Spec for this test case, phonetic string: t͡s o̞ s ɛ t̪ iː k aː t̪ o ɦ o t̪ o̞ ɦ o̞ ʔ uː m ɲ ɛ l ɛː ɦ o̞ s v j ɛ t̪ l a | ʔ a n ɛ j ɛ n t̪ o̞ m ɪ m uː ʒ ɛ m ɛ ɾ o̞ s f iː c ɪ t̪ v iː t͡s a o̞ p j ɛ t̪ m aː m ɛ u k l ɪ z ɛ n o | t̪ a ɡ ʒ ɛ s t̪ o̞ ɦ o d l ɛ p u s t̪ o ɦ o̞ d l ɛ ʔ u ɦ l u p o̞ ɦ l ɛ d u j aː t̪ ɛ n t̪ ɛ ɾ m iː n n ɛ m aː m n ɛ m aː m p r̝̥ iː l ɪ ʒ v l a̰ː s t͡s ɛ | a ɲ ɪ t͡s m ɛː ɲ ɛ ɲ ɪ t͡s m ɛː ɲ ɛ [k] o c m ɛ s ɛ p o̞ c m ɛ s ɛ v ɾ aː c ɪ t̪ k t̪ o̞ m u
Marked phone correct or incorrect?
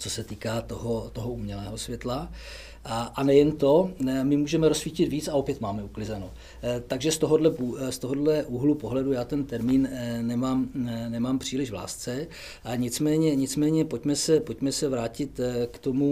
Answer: incorrect